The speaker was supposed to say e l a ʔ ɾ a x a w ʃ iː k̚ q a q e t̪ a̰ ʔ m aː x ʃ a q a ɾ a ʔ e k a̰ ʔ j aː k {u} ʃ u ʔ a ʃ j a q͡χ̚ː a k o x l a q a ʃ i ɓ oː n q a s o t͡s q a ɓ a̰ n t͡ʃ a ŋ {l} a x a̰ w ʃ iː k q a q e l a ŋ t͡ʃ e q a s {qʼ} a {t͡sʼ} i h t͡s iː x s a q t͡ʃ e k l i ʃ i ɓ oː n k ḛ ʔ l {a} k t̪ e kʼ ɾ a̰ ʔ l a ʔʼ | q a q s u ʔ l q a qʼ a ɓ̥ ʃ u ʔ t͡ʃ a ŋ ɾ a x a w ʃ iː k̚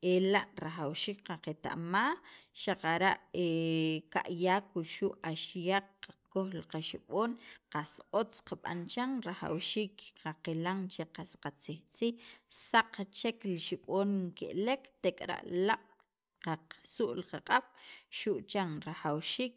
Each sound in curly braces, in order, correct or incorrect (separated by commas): correct, incorrect, incorrect, incorrect, incorrect